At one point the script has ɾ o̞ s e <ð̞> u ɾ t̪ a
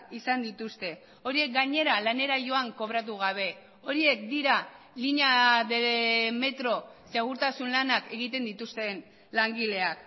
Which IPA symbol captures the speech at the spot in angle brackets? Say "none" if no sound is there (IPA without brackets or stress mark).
ɣ̞